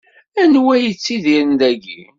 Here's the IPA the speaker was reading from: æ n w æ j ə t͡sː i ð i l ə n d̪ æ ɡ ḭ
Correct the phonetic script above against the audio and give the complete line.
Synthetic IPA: æ n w æ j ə t͡sː i ð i ɾ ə n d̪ æ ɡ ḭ